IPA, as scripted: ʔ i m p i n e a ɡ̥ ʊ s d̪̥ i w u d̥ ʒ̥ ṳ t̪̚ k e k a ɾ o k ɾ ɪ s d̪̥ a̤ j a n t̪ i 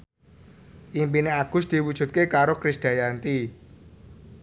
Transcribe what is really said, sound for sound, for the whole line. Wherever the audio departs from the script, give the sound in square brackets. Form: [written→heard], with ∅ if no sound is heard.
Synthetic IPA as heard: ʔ i m p i n e a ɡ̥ ʊ s d̪̥ i w u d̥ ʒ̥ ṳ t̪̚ k e k a ɾ o k ɾ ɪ s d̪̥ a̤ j a n t̪ i